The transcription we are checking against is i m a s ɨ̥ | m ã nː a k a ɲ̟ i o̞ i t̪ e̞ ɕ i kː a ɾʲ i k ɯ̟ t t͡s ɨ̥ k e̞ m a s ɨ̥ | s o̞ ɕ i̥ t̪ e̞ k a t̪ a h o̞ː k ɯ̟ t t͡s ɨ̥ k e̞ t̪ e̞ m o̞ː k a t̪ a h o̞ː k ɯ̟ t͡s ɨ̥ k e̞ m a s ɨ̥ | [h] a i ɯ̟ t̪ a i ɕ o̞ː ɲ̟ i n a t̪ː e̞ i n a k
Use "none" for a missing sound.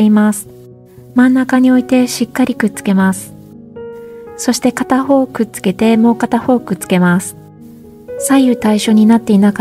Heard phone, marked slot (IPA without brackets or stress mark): s